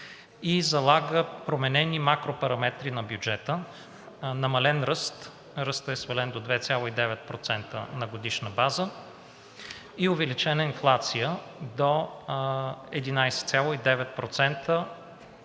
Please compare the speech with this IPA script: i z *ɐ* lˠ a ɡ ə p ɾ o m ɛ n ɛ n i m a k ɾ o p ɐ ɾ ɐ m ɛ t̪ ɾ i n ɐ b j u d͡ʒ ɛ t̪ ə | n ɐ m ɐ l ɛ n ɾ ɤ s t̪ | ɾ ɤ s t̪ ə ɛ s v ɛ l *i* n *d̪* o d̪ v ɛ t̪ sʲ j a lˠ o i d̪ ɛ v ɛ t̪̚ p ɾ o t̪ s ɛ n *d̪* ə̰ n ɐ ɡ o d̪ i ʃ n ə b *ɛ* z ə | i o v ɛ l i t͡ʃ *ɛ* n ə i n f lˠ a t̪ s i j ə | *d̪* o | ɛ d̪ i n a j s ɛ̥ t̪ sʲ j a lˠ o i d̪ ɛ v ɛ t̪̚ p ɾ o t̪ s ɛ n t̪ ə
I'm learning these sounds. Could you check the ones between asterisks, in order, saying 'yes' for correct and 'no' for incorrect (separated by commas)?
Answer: yes, no, yes, no, no, yes, yes